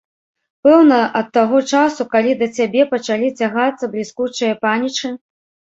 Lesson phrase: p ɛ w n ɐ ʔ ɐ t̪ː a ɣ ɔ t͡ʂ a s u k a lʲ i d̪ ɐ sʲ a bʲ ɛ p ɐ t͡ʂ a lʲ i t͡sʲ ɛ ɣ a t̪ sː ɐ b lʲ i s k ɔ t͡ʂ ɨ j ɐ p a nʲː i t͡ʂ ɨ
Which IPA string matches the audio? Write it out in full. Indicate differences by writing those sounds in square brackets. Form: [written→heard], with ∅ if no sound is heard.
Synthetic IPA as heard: p ɛ w n ɐ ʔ ɐ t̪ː a ɣ ɔ t͡ʂ a s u k a lʲ i d̪ ɐ [sʲ→t͡sʲ] a bʲ ɛ p ɐ t͡ʂ a lʲ i t͡sʲ [ɛ→a] ɣ a t̪ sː ɐ b lʲ i s k [ɔ→u] t͡ʂ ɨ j ɐ p a [nʲː→nʲ] i t͡ʂ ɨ